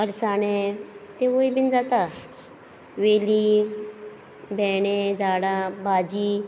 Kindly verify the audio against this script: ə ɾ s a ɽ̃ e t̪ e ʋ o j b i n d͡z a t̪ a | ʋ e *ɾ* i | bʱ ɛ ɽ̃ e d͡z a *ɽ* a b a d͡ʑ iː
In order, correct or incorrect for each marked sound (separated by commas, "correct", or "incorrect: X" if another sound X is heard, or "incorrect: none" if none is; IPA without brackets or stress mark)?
incorrect: l, correct